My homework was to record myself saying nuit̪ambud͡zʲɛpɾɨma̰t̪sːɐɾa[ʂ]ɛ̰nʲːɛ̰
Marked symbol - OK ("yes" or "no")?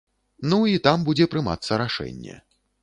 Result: yes